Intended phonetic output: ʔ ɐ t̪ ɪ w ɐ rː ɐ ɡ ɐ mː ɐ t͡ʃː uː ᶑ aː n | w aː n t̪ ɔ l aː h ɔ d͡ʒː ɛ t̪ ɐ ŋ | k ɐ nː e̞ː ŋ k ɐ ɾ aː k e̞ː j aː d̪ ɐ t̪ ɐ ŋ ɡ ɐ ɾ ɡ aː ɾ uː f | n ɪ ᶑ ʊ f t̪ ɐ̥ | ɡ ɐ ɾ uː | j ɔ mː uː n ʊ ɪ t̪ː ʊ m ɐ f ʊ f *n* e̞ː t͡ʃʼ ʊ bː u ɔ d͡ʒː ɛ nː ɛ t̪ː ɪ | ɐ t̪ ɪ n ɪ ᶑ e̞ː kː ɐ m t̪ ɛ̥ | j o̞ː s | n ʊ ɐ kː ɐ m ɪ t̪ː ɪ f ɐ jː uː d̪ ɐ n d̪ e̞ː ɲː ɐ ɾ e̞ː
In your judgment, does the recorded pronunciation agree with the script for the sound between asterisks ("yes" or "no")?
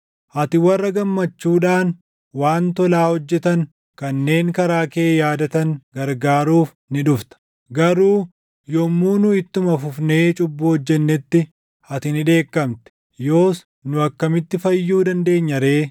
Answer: yes